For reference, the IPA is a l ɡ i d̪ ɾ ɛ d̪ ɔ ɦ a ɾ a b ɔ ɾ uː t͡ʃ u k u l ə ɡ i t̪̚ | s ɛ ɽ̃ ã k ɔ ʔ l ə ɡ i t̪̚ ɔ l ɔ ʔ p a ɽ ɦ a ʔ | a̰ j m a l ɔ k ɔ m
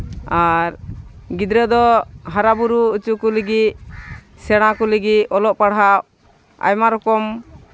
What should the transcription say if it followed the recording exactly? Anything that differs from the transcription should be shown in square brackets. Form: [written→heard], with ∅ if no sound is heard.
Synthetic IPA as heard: a [l→ɾ] ɡ i d̪ ɾ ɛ d̪ ɔ ɦ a ɾ a b [ɔ→u] ɾ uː t͡ʃ u k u l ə ɡ i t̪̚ | s ɛ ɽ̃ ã k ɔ [ʔ→∅] l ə ɡ i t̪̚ ɔ l ɔ ʔ p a ɽ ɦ a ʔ | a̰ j m a [l→ɾ] ɔ k ɔ m

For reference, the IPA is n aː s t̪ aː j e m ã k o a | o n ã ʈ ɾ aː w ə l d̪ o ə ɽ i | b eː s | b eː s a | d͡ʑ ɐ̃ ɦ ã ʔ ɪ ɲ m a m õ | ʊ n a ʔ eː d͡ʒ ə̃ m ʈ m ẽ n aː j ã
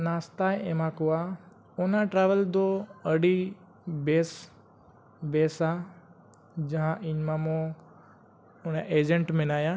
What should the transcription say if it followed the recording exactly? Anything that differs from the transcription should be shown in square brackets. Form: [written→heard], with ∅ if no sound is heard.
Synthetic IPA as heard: n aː s t̪ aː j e m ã k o a | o n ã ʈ ɾ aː [w→ʋ] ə l d̪ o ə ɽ i | b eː s | b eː s a | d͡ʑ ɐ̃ ɦ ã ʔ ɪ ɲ m a m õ | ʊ n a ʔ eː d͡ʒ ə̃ [m→ɳ] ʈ m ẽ n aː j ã

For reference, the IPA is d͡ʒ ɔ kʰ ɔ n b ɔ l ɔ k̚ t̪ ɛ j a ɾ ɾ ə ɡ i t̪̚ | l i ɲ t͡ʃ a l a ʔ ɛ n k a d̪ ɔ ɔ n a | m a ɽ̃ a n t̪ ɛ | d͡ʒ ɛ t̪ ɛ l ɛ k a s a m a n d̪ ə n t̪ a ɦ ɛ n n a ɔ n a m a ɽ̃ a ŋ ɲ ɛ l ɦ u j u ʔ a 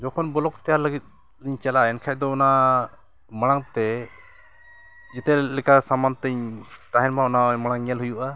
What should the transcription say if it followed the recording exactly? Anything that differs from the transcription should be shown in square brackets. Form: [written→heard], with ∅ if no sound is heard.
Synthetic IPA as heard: d͡ʒ ɔ kʰ ɔ n b ɔ l ɔ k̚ t̪ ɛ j a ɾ [ɾ→l] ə ɡ i t̪̚ | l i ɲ t͡ʃ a l a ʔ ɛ n [k→kʰ] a d̪ ɔ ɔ n a | m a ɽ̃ a [n→ŋ] t̪ ɛ | d͡ʒ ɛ t̪ ɛ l ɛ k a s a m a n [d̪→t̪] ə [n→ɲ] t̪ a ɦ ɛ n [n→m] a ɔ n a m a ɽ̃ a ŋ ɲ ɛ l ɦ u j u ʔ a

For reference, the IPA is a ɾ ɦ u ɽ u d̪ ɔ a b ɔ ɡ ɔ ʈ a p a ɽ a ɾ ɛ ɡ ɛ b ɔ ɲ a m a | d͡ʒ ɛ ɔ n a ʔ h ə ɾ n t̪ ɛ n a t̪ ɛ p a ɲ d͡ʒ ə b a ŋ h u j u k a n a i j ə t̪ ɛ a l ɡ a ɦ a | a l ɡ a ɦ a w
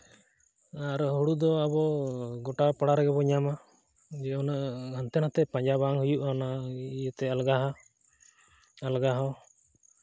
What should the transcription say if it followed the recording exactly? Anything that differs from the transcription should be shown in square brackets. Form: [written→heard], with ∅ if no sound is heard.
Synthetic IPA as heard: a ɾ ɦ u ɽ u d̪ ɔ a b ɔ ɡ ɔ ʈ a p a ɽ a ɾ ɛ ɡ ɛ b ɔ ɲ a m a | d͡ʒ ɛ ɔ n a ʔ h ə [ɾ→∅] n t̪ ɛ n a t̪ ɛ p a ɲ d͡ʒ [ə→a] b a ŋ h u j u [k→ʔ] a n a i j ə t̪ ɛ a l ɡ a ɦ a | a l ɡ a ɦ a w

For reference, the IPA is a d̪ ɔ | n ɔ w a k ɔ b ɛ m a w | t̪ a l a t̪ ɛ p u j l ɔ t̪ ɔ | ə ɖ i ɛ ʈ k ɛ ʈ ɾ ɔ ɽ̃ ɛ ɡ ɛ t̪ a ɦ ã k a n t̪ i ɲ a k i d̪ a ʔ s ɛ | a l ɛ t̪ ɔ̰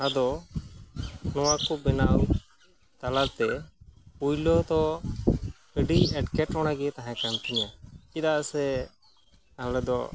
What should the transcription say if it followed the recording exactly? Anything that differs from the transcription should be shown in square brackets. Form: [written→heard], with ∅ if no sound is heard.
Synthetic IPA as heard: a d̪ ɔ | n ɔ w a k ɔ b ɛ [m→n] a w | t̪ a l a t̪ ɛ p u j l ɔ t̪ ɔ | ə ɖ i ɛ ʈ k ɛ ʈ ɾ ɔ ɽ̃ [ɛ→a] ɡ ɛ t̪ a ɦ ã k a n t̪ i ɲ a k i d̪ a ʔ s ɛ | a l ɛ [t̪→d̪] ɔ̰

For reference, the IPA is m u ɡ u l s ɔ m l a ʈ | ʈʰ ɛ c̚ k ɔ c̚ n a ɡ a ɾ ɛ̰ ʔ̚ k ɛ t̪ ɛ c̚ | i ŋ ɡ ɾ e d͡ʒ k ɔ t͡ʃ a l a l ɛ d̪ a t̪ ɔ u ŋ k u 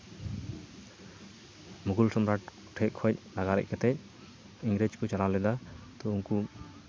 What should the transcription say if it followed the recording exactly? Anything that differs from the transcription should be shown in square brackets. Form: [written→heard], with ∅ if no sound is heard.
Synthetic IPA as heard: m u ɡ u l s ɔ m [l→ɾ] a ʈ | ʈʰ ɛ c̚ [k→kʰ] ɔ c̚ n a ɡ a ɾ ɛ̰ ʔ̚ k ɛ t̪ ɛ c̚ | i ŋ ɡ ɾ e d͡ʒ k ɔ t͡ʃ a l a l ɛ d̪ a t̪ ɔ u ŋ k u

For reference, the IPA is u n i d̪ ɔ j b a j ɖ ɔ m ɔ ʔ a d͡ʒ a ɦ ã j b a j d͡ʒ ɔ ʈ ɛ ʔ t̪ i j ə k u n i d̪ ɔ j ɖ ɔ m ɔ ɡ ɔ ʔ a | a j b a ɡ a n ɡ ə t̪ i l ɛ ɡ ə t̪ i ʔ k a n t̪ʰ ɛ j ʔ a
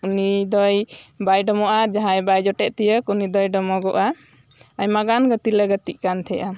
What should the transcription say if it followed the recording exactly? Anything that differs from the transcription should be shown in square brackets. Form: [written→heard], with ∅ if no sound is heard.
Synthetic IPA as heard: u n i d̪ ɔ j b a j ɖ ɔ m ɔ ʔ a d͡ʒ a ɦ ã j b a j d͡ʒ ɔ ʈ ɛ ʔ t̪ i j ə k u n i d̪ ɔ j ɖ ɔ m ɔ ɡ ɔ ʔ a | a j [b→m] a ɡ a n ɡ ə t̪ i l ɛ ɡ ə t̪ i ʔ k a n t̪ʰ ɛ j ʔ a

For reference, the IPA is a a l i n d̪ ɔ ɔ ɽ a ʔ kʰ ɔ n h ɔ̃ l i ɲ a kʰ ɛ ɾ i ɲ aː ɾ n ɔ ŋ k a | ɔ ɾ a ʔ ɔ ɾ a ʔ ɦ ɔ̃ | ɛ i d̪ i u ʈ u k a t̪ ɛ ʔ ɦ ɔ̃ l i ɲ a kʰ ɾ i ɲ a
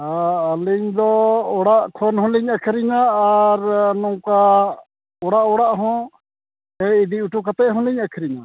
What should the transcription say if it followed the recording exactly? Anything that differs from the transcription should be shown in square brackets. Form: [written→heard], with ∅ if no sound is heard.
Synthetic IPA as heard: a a l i [n→ɲ] d̪ ɔ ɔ ɽ a ʔ kʰ ɔ n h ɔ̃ l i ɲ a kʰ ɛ ɾ i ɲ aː ɾ n ɔ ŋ k a | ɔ [ɾ→ɽ] a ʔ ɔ [ɾ→ɽ] a ʔ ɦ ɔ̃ | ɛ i d̪ i u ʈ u k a t̪ ɛ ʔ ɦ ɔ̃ l i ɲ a kʰ ɾ i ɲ a

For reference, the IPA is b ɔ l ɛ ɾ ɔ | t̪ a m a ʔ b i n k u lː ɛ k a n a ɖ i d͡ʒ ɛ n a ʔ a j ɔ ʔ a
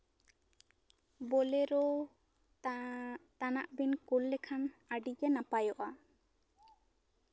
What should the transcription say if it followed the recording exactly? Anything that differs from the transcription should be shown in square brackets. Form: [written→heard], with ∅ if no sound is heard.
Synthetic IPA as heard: b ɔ l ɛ ɾ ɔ | t̪ a [m→n] a ʔ b i n k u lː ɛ [k→kʰ] a n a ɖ i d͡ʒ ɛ n a [ʔ→p] a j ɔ ʔ a

